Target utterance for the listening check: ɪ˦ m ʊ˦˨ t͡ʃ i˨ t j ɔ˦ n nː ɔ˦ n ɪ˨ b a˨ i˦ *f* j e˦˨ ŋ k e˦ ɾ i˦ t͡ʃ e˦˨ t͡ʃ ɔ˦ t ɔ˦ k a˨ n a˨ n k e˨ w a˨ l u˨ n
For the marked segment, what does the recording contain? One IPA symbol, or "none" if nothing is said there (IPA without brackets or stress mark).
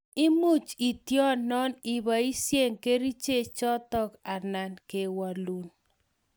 s